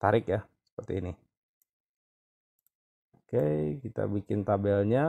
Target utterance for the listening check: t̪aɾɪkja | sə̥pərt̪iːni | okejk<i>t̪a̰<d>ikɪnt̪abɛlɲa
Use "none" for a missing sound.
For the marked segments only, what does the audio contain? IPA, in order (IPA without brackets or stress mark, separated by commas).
i, b